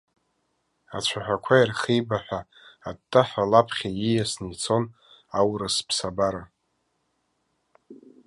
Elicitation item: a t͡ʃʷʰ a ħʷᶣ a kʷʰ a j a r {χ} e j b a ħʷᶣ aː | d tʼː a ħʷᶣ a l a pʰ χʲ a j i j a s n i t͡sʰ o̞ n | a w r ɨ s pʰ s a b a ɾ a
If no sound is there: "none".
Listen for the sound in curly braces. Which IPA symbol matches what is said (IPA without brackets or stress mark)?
χ